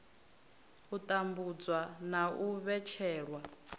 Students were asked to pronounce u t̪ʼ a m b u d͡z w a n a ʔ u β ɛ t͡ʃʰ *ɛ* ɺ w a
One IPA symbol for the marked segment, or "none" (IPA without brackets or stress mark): ɛː